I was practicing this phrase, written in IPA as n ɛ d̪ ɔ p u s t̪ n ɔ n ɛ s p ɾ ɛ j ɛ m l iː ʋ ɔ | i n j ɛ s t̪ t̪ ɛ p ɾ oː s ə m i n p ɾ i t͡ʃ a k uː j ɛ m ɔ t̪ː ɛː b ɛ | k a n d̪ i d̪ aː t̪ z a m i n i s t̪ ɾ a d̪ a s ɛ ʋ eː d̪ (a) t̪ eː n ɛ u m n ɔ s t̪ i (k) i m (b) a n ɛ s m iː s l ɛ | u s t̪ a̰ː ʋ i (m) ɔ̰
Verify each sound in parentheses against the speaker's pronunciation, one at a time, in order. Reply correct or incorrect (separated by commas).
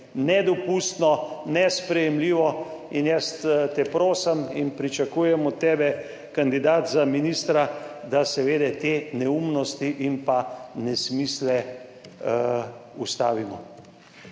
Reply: incorrect, incorrect, incorrect, correct